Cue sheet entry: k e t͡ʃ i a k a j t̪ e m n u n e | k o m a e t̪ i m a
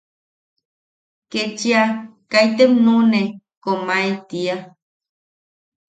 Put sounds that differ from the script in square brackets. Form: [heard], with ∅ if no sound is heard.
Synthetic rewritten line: k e t͡ʃ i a k a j t̪ e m n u n e | k o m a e t̪ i [∅] a